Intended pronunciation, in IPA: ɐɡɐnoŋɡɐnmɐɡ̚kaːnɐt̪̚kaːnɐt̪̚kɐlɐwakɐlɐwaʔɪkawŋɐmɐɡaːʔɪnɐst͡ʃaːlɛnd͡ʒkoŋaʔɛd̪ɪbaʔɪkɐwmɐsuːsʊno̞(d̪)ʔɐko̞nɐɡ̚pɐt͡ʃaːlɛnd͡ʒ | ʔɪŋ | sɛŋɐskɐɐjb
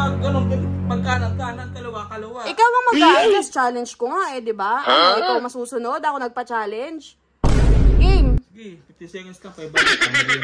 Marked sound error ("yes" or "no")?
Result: no